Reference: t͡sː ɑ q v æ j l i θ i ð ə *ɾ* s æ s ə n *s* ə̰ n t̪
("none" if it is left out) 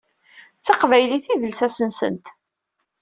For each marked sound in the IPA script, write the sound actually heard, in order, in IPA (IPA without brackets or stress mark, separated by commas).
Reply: l, s